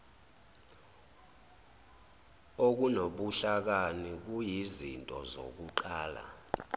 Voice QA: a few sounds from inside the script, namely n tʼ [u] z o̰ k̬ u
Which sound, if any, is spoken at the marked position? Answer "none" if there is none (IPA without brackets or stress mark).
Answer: ɔ